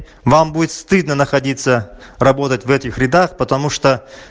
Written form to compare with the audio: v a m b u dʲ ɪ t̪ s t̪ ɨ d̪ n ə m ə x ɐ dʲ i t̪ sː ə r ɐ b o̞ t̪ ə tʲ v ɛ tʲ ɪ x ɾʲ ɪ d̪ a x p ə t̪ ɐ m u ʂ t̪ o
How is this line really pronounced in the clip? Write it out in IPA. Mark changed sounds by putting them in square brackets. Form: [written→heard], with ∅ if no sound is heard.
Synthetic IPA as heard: v a m b u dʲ ɪ t̪ s t̪ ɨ d̪ n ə [m→n] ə x ɐ dʲ i t̪ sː ə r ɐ b o̞ t̪ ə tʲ v ɛ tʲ ɪ x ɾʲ ɪ d̪ a x p ə t̪ ɐ m u ʂ t̪ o